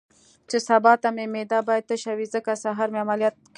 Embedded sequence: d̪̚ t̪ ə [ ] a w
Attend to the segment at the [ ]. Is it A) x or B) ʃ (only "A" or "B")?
B